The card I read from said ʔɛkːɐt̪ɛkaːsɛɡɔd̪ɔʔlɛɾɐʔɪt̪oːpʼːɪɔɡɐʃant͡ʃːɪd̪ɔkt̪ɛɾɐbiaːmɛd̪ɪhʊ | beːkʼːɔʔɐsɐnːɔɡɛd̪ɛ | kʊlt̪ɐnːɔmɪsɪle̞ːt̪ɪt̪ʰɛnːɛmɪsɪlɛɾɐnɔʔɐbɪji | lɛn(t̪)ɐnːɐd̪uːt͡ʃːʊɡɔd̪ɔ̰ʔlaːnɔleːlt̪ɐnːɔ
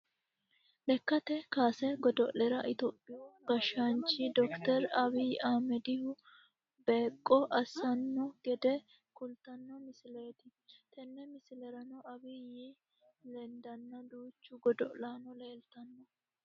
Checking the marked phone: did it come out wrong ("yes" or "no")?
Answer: yes